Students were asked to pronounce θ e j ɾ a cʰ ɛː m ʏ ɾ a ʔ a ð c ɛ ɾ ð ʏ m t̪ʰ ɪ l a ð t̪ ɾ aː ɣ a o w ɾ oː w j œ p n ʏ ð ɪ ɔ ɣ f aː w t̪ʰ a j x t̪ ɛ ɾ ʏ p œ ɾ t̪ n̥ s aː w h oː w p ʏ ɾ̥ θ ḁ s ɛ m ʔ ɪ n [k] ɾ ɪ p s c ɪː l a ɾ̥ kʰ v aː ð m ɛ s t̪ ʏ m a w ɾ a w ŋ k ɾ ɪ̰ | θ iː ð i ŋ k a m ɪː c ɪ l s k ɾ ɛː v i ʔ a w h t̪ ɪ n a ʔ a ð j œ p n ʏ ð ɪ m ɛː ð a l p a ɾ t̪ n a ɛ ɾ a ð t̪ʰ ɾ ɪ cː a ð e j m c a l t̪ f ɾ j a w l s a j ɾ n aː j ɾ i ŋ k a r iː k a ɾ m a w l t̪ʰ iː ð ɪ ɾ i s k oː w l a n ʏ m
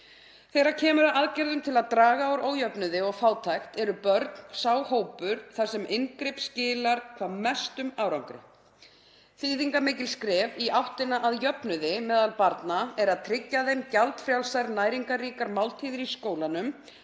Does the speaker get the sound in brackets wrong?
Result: no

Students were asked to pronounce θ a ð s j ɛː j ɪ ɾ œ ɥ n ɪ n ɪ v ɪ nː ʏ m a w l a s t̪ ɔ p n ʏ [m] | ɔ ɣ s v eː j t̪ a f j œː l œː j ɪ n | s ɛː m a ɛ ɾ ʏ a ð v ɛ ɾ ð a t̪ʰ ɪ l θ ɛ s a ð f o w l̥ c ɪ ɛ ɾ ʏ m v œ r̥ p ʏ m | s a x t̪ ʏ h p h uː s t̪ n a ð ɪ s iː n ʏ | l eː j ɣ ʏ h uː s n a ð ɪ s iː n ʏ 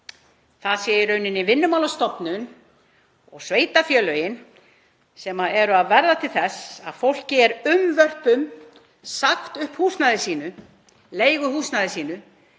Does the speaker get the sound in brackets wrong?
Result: yes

